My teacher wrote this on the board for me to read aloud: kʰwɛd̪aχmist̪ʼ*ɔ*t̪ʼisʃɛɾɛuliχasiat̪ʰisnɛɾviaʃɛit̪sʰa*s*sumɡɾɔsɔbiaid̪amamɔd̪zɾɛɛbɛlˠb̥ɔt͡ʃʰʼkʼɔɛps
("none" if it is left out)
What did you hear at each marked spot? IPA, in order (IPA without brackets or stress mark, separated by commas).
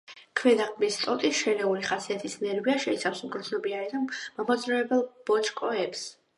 ɔ, f